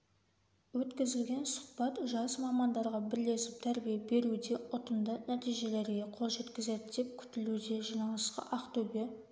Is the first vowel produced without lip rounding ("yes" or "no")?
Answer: no